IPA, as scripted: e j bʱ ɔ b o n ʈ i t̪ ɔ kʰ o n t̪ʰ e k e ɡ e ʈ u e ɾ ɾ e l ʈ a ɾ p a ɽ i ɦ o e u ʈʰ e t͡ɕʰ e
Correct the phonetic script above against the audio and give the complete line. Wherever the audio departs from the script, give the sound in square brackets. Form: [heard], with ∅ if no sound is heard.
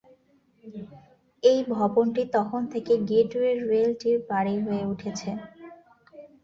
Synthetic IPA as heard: e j bʱ ɔ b o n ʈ i t̪ ɔ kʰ o n t̪ʰ e k e ɡ e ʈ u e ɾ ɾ e l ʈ [i] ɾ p a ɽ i ɦ o e u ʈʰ e t͡ɕʰ e

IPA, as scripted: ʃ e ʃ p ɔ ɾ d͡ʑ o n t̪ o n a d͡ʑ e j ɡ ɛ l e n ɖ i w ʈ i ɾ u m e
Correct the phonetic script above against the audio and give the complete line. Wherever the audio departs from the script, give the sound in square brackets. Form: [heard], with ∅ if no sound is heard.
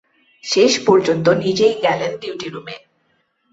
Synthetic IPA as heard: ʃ e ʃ p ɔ ɾ d͡ʑ o n t̪ o n [i] d͡ʑ e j ɡ ɛ l e n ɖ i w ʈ i ɾ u m e

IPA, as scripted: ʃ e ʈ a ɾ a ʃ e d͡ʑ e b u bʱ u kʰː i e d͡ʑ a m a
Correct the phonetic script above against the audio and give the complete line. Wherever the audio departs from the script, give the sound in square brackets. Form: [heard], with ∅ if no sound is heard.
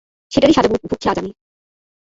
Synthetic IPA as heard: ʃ e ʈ a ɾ [i] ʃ [a] d͡ʑ [a] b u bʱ u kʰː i [a] d͡ʑ a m [i]

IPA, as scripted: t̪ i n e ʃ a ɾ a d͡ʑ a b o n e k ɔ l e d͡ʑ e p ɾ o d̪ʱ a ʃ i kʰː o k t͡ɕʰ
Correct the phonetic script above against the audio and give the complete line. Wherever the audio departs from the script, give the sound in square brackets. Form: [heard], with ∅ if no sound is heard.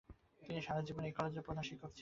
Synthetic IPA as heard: t̪ i n [i] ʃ a ɾ a d͡ʑ [i] b o n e k ɔ l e d͡ʑ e p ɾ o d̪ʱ a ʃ i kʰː o k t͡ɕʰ

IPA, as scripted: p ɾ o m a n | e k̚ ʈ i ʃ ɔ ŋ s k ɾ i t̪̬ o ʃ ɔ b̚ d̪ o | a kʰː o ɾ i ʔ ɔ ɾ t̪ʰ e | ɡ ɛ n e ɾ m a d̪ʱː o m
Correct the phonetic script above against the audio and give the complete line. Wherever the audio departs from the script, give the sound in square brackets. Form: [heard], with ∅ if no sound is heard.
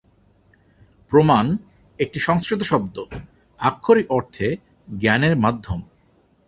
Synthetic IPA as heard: p ɾ o m a n | e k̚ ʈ i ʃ ɔ ŋ s k ɾ i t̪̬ o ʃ ɔ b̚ d̪ o | a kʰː o ɾ i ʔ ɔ ɾ t̪ʰ e | ɡ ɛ n e ɾ m a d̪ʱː o m

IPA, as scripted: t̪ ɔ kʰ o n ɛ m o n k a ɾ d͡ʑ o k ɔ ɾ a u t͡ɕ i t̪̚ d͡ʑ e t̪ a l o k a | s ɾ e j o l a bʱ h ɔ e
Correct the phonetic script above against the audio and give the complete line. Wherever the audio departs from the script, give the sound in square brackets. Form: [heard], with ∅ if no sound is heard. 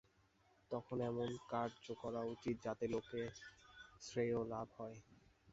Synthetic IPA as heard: t̪ ɔ kʰ o n ɛ m o n k a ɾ d͡ʑ o k ɔ ɾ a u t͡ɕ i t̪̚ d͡ʑ [a] t̪ [e] l o k [e] | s ɾ e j o l a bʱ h ɔ e

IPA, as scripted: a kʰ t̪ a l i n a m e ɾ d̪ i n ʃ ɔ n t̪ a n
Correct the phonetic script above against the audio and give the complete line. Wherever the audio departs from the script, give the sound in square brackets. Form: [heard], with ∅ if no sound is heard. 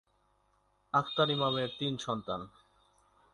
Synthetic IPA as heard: a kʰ t̪ a [ɾ] i [m] a m e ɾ [t̪] i n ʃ ɔ n t̪ a n

